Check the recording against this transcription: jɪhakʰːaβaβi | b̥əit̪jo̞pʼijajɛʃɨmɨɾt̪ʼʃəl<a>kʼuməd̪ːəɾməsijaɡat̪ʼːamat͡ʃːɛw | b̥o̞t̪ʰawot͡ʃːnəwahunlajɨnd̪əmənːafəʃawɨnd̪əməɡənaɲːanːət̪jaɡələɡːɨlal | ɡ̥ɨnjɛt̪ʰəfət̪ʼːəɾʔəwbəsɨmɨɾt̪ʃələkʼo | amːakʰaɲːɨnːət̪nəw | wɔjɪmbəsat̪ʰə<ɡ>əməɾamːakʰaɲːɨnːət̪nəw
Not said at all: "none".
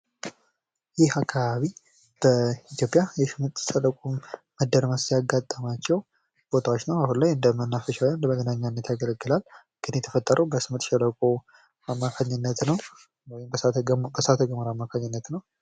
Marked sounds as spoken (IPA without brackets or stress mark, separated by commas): ə, ɡ